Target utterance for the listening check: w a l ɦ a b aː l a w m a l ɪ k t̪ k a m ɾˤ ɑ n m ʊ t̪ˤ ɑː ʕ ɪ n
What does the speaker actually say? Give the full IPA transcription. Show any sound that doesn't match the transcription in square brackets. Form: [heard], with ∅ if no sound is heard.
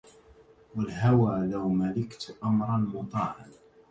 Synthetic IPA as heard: w a l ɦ a [w] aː l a w m a l ɪ k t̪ [ʔ] a m ɾˤ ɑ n m ʊ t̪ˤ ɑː ʕ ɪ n